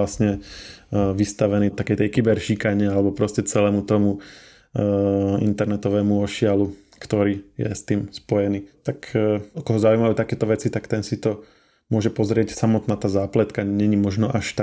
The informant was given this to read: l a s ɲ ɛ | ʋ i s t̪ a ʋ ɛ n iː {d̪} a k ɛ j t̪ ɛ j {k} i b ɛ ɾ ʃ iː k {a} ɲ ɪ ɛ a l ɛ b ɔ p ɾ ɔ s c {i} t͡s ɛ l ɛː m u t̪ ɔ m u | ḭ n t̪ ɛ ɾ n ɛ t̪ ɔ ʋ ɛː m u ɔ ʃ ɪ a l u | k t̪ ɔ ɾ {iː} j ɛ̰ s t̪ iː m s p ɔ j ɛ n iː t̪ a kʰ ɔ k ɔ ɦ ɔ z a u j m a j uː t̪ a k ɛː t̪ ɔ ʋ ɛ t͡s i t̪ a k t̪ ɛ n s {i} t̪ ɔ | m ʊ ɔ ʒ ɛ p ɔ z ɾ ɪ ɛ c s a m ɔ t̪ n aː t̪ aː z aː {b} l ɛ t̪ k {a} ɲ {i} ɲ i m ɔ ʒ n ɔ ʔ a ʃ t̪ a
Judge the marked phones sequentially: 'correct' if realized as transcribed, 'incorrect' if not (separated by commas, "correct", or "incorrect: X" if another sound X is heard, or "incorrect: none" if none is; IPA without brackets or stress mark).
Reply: incorrect: t̪, correct, correct, incorrect: ɛ, correct, correct, incorrect: p, correct, incorrect: ɛ